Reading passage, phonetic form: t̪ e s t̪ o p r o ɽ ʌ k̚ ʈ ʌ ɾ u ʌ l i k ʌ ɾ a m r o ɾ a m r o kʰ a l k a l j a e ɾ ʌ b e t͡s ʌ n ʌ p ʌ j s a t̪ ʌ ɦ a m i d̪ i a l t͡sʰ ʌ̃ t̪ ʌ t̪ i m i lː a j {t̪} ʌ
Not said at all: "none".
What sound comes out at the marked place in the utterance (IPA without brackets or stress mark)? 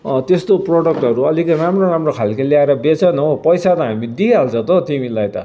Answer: t̪